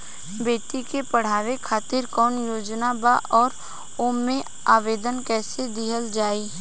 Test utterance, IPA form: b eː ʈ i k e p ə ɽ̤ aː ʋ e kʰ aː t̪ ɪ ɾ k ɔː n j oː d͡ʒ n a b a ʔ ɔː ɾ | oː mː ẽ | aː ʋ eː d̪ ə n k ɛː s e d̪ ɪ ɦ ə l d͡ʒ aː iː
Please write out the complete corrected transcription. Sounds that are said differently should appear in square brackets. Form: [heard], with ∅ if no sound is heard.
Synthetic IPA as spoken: b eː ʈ i k e p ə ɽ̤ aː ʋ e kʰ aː t̪ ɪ ɾ k ɔː n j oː d͡ʒ n a b a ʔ ɔː ɾ | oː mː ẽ | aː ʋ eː d̪ ə n k ɛː s e d̪ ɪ ɦ ə l d͡ʒ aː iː